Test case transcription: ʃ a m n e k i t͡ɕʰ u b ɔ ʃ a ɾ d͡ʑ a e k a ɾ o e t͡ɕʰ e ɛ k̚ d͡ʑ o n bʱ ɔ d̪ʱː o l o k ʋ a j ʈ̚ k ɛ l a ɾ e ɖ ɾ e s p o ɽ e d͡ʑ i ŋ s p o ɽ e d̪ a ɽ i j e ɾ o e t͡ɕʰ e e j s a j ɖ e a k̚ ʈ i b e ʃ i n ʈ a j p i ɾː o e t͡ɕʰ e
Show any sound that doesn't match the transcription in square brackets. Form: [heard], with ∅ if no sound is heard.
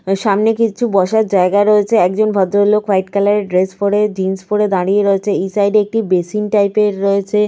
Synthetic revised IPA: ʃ a m n e k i t͡ɕʰ u b ɔ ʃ a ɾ d͡ʑ a e [ɡ] a ɾ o e t͡ɕʰ e ɛ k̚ d͡ʑ o n bʱ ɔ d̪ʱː o l o k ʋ a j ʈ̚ k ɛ l a ɾ e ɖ ɾ e s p o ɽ e d͡ʑ i [n] s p o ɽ e d̪ a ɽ i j e ɾ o e t͡ɕʰ e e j s a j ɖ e [e] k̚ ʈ i b e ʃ i n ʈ a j p [e] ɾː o e t͡ɕʰ e